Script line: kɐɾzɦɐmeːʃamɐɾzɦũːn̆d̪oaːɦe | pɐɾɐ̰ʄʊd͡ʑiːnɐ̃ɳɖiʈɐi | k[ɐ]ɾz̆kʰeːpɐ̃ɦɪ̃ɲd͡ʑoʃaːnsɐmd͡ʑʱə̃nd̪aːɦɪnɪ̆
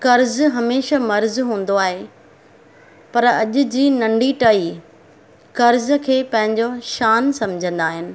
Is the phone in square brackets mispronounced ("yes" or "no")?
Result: no